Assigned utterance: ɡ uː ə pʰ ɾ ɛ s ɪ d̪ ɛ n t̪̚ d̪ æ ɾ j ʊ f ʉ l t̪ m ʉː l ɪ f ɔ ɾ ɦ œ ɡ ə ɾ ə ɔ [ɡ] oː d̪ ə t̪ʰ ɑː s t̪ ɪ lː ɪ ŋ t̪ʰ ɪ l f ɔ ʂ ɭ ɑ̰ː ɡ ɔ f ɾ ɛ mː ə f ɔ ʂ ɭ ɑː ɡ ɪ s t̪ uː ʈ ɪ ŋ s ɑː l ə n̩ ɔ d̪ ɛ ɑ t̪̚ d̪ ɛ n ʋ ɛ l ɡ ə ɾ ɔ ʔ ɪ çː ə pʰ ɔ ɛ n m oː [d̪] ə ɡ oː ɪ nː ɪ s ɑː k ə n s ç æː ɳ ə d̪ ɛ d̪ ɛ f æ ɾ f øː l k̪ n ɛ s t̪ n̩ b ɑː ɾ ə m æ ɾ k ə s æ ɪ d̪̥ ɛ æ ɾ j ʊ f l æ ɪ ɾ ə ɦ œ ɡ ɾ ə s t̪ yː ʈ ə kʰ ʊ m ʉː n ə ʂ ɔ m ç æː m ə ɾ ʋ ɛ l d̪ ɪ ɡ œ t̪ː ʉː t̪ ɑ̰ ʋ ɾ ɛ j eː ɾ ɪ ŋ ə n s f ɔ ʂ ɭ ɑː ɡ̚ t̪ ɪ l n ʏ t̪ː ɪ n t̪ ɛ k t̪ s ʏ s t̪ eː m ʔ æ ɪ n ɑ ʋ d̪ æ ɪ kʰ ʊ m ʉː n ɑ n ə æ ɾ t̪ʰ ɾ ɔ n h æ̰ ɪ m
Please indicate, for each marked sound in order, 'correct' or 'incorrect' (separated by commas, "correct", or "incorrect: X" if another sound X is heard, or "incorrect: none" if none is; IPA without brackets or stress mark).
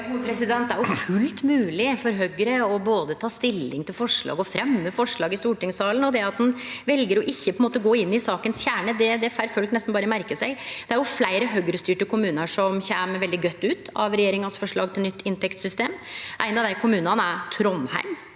incorrect: b, incorrect: t̪